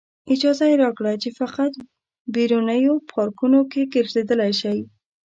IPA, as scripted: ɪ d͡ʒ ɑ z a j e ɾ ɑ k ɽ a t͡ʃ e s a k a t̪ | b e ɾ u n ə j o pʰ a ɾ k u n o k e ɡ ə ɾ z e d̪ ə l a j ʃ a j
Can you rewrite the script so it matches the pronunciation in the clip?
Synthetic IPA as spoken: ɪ d͡ʒ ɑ z a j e ɾ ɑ k ɽ a t͡ʃ e f a q a t̪ | b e ɾ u n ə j o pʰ ɑ ɾ k u n o k e ɡ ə ɾ z e d̪ ə l a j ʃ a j